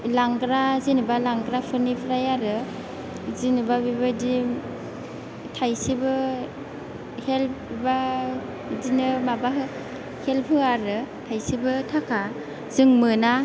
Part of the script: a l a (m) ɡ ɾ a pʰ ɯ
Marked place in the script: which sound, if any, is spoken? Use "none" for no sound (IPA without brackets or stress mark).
ŋ